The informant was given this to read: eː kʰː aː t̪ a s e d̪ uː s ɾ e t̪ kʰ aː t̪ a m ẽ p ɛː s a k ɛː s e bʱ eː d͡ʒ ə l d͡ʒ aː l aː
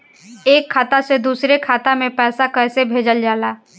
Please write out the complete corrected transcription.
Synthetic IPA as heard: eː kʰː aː t̪ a s e d̪ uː s ɾ e kʰ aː t̪ a m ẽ p ɛː s a k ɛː s e bʱ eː d͡ʒ ə l d͡ʒ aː l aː

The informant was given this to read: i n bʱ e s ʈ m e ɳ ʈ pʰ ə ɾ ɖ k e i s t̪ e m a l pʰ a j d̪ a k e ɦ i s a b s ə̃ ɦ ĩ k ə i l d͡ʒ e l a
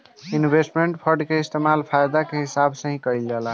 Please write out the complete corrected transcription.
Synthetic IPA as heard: i n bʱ e s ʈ m e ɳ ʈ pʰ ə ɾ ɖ k e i s t̪ e m a l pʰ a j d̪ a k e ɦ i s a b s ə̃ ɦ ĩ k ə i l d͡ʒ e l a

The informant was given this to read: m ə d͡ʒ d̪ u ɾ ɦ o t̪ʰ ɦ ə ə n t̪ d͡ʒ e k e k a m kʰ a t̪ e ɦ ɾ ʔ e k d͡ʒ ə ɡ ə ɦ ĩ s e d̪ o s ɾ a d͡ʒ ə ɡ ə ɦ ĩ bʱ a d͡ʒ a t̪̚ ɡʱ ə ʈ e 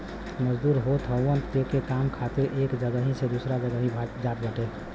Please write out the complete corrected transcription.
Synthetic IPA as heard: m ə d͡ʒ d̪ u ɾ ɦ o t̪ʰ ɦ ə ə n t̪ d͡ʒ e k e k a m kʰ a t̪ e ɾ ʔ e k d͡ʒ ə ɡ ə ɦ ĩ s e d̪ u s ɾ a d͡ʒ ə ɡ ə ɦ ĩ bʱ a d͡ʒ a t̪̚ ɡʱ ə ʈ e

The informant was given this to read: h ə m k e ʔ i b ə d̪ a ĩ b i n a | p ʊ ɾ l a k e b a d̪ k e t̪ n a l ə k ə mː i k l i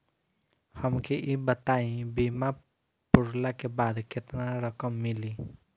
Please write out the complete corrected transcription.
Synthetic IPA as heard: h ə m k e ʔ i b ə t̪ a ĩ b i m a | p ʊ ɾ l a k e b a d̪ k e t̪ n a ɾ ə k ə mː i l i

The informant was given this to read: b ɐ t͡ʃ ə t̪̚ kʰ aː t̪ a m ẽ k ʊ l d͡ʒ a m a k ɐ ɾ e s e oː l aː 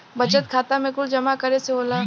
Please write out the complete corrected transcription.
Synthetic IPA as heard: b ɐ t͡ʃ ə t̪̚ kʰ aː t̪ a m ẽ k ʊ l d͡ʒ ɐ m a k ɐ ɾ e s e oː l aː

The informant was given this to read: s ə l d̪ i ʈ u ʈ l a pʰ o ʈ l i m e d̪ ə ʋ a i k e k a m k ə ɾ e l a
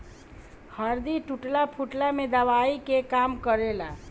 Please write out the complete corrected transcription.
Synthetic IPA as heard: h ə ɾ d̪ i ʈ u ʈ l a pʰ u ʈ l a m e d̪ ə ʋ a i k e k a m k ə ɾ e l a

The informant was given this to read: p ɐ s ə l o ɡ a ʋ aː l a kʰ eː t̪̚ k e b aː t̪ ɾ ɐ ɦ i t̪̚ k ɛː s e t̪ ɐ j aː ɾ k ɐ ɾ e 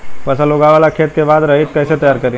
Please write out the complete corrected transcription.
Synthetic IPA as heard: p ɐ s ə l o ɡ a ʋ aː l a kʰ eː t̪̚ k e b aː d̪ ɾ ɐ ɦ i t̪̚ k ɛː s e t̪ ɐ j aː ɾ k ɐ ɾ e

